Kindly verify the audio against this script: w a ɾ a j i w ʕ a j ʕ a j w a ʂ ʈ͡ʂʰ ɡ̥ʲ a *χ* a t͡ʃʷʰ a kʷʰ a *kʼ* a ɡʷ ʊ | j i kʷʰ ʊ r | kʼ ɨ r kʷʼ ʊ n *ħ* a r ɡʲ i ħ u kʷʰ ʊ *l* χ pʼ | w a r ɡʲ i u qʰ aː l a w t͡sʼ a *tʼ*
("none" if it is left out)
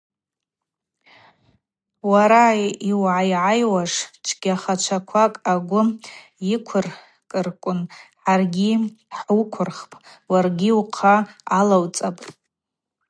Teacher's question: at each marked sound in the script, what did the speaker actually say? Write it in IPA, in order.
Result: χ, kʼ, ħ, r, pʼ

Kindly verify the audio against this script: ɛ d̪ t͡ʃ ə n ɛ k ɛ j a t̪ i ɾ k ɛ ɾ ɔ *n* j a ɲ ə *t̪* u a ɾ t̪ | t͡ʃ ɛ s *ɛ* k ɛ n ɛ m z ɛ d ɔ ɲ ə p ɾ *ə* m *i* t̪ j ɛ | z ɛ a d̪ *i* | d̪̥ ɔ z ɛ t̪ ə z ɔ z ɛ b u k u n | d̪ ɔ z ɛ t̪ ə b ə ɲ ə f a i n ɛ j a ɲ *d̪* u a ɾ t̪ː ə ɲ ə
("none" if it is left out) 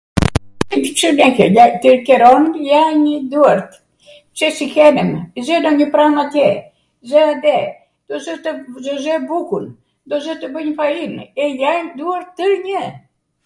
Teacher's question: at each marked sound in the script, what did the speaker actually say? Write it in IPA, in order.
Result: n, d̪, i, a, a, ɛ, d̪

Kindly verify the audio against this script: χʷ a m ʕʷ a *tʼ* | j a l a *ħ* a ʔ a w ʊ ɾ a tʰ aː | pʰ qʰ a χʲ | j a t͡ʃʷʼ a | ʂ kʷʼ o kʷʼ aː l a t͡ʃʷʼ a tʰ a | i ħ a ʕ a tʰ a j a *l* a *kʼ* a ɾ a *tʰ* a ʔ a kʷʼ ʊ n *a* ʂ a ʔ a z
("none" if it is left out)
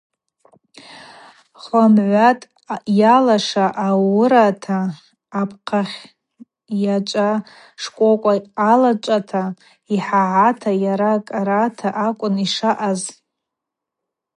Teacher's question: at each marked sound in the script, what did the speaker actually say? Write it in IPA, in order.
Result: tʼ, ʂ, ɾ, kʼ, tʰ, i

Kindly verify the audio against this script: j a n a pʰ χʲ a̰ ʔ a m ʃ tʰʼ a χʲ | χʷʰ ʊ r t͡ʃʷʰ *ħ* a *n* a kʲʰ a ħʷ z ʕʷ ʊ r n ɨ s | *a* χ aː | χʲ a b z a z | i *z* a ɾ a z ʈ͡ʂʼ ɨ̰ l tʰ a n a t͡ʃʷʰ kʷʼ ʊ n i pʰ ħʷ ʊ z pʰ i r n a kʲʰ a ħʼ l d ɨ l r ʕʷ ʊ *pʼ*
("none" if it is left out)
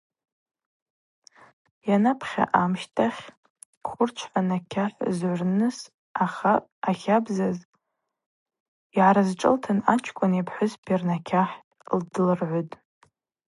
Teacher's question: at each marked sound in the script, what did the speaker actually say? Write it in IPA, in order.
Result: ħ, n, a, ʕ, tʼ

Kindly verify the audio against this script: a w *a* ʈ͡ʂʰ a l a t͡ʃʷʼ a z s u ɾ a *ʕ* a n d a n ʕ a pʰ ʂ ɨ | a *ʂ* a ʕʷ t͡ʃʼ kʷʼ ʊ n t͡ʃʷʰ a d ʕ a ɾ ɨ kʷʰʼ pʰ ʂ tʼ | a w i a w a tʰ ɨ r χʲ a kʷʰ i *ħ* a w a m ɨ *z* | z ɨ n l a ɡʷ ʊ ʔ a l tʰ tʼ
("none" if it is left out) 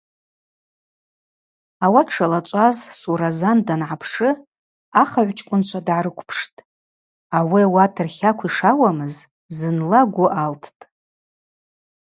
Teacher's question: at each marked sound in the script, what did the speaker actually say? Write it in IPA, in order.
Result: a, z, χ, ʂ, z

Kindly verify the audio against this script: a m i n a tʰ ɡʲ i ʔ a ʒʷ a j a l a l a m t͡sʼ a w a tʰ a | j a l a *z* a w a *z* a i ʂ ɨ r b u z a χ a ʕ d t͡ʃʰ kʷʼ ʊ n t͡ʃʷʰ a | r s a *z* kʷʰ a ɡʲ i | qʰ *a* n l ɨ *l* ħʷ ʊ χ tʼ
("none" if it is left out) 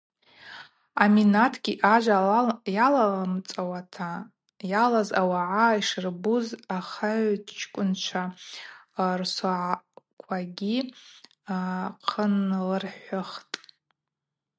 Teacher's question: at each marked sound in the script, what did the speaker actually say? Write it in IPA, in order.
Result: z, ʕ, ʕ, ə, r

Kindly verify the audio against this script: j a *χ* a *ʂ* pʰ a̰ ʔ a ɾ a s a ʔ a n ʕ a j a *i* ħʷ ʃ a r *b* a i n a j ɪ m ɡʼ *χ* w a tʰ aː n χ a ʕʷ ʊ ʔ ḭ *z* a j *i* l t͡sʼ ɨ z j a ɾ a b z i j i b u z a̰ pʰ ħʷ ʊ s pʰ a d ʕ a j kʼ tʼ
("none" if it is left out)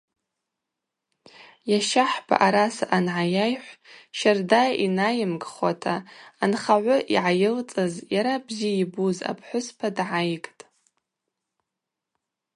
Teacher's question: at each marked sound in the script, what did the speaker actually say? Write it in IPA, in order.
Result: ʃ, ħ, j, d, χ, ʕ, ɪ

